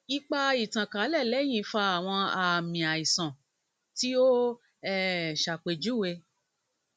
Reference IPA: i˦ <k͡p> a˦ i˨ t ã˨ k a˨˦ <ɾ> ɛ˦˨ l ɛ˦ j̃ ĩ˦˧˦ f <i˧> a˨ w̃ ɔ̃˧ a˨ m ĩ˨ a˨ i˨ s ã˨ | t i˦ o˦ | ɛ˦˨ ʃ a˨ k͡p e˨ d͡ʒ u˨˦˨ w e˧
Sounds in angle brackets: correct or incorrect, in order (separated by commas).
correct, incorrect, incorrect